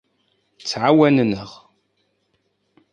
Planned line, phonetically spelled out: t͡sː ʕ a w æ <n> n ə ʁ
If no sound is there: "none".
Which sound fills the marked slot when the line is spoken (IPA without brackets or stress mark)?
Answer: n